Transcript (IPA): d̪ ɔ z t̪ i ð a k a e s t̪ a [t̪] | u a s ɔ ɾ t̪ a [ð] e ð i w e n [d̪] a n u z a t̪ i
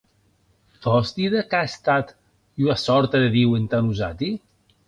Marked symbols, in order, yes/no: yes, yes, no

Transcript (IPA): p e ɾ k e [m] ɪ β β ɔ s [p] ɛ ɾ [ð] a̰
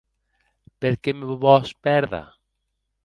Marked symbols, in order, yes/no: yes, yes, yes

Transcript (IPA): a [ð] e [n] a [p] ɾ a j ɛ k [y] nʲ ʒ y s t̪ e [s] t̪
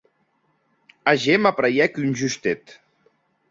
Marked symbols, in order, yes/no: no, no, yes, yes, no

